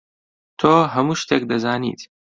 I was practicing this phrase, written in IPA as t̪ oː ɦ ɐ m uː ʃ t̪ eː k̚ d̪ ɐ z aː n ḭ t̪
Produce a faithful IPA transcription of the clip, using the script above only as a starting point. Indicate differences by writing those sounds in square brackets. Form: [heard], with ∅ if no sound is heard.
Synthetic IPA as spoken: [t̪ʰ] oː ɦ ɐ m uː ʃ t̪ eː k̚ d̪ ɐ z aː n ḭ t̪